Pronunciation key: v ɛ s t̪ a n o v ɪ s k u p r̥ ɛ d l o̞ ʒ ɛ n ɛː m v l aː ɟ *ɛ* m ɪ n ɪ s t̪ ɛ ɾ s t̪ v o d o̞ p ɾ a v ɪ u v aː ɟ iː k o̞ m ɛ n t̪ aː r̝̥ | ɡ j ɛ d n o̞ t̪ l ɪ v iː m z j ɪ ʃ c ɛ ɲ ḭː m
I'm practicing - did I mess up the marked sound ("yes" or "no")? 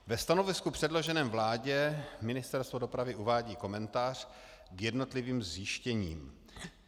no